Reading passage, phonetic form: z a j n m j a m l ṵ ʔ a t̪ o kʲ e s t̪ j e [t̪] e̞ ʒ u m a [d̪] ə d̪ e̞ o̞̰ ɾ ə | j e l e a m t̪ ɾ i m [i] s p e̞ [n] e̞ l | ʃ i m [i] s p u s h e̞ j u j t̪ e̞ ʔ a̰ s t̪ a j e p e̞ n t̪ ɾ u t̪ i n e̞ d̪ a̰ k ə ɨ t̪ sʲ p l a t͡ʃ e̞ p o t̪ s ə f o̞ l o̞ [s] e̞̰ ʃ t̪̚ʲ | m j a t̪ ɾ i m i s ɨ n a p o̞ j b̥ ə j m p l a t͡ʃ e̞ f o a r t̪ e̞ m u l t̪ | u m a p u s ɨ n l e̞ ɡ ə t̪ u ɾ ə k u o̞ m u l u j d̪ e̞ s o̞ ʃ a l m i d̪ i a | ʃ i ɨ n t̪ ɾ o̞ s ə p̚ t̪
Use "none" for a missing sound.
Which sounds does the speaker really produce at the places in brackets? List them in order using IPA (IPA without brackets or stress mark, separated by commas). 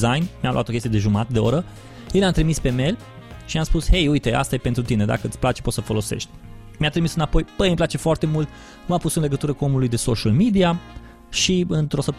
d̪, t̪, i, m, a, s